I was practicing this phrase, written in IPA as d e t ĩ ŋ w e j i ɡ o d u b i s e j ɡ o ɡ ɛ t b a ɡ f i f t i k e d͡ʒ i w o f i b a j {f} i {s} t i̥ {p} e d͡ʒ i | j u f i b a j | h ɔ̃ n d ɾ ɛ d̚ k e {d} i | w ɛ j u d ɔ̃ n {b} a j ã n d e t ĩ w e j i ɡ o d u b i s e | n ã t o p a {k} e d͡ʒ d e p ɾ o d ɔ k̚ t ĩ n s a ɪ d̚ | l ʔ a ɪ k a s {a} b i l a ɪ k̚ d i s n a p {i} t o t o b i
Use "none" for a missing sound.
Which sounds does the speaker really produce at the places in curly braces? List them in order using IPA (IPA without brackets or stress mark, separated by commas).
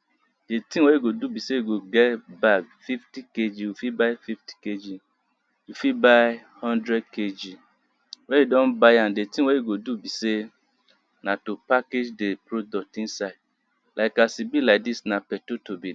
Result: f, f, k, d͡ʒ, b, k, i, ɛ